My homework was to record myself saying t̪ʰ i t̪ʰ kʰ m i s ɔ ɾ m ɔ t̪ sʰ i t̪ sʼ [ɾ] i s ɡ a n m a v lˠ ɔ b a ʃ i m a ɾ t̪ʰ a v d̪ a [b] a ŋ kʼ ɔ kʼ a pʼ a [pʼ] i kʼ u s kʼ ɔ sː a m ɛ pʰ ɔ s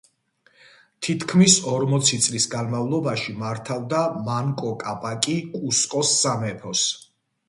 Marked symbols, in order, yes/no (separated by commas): no, no, no